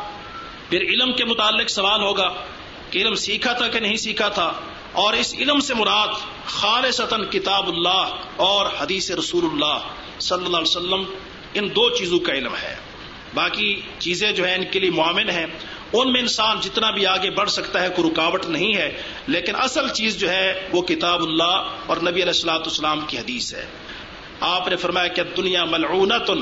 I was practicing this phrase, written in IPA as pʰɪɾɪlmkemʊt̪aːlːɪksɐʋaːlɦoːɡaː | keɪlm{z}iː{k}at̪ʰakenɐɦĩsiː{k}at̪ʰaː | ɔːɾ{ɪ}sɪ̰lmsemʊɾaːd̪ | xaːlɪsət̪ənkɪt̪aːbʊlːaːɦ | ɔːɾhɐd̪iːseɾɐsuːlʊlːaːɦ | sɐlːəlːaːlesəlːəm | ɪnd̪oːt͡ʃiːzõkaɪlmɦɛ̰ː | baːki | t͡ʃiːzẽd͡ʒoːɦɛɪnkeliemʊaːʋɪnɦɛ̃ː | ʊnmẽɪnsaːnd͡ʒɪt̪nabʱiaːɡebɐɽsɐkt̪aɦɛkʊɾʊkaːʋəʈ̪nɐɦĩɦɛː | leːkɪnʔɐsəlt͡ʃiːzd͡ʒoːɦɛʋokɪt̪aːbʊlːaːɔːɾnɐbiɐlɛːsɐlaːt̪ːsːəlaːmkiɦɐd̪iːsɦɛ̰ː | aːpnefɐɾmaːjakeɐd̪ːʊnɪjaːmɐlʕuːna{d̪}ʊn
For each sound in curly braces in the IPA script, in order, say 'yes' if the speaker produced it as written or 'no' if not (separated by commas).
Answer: no, no, no, yes, no